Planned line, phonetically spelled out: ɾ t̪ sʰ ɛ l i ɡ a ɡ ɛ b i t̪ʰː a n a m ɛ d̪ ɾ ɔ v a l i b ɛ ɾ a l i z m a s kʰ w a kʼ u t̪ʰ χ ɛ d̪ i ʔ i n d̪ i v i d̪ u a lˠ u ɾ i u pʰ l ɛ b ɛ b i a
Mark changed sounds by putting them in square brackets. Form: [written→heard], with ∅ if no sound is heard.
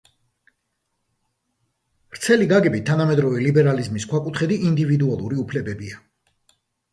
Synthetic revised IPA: ɾ t̪ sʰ ɛ l i ɡ a ɡ ɛ b i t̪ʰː a n a m ɛ d̪ ɾ ɔ v [a→ɛ] l i b ɛ ɾ a l i z m [a→i] s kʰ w a kʼ u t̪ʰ χ ɛ d̪ i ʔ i n d̪ i v i d̪ u a lˠ u ɾ i u pʰ l ɛ b ɛ b i a